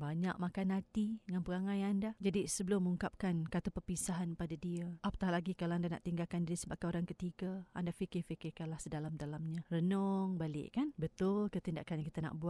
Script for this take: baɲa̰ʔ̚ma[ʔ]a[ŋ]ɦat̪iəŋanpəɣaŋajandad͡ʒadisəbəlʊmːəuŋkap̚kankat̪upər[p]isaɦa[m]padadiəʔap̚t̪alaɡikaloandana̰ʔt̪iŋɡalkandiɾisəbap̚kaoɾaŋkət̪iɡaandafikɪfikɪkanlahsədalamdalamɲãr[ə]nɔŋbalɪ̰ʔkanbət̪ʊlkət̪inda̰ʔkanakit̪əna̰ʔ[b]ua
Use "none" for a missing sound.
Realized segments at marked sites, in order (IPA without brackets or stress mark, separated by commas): k, n, p, n, ə, b